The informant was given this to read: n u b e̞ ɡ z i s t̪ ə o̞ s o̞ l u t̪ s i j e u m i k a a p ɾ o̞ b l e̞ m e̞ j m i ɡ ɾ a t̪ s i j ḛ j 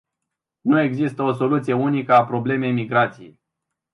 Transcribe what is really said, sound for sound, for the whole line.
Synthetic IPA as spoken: n u e̞ ɡ z i s t̪ ə o̞ s o̞ l u t̪ s i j e u n i k ə a p ɾ o̞ b l e̞ m e̞ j m i ɡ ɾ a t̪ s i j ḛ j